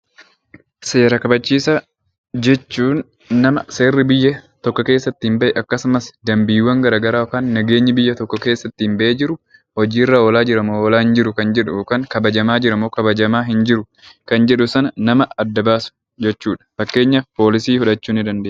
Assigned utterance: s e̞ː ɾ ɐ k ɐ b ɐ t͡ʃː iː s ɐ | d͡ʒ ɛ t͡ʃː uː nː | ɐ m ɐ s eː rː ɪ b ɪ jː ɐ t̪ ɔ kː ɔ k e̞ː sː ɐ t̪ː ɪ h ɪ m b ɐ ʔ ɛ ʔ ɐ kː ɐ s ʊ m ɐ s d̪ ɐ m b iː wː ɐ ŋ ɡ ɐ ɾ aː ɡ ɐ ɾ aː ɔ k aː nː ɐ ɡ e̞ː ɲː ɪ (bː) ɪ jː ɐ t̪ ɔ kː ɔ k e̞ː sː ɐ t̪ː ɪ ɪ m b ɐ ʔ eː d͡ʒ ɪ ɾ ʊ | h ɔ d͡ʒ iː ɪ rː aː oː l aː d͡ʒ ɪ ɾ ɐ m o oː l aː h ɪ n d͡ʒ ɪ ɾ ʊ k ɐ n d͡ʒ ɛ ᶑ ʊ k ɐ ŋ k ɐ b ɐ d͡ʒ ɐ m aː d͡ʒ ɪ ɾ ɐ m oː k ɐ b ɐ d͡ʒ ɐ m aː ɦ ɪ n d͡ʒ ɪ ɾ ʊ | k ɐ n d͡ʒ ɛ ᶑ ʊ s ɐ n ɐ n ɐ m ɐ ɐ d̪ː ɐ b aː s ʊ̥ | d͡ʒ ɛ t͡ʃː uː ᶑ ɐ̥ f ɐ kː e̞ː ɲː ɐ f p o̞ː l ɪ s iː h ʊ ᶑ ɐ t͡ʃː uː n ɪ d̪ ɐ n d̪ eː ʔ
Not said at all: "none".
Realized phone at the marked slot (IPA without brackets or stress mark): b